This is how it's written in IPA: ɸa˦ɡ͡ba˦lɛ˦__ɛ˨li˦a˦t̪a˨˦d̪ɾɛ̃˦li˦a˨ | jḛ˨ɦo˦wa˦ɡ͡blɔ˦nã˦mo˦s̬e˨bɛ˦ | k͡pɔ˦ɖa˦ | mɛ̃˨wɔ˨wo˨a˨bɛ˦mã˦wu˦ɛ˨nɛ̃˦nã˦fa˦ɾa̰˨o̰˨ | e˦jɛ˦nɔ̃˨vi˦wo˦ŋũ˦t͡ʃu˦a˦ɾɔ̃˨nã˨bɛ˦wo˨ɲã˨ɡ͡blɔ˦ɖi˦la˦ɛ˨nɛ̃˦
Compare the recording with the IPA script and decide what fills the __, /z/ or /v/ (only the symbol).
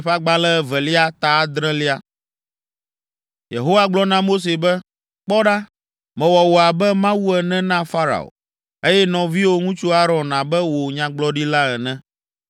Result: v